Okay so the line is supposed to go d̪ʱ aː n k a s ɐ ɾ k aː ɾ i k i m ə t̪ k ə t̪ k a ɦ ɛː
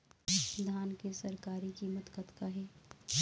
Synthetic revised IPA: d̪ʱ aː n k e s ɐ ɾ k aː ɾ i k i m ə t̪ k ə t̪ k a ɦ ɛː